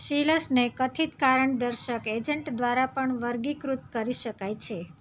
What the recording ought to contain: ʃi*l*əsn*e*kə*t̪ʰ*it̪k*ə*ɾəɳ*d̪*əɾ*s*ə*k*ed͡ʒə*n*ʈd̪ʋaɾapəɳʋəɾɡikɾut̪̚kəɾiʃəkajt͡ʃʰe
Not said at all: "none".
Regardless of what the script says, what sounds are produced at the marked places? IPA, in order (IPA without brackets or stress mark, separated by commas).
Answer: l, e, t̪ʰ, a, d̪, ʃ, k, ɳ